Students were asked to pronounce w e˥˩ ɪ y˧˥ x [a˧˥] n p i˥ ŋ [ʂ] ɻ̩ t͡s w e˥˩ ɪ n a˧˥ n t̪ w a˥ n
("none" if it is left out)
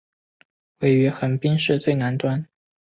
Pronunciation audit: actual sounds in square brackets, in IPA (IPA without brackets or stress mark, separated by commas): ə˧˥, ʂ